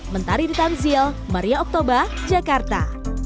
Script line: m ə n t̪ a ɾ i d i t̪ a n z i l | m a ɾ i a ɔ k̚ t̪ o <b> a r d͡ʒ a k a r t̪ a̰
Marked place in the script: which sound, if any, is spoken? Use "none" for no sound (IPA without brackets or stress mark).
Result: b